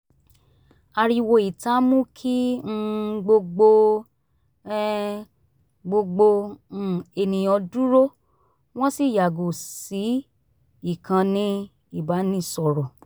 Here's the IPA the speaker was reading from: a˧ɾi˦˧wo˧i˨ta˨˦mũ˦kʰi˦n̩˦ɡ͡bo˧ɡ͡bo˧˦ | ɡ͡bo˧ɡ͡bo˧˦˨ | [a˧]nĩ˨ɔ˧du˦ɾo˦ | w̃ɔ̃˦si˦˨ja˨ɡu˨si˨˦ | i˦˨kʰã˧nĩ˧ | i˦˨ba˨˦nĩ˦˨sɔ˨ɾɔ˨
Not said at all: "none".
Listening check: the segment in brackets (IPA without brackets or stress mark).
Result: e˧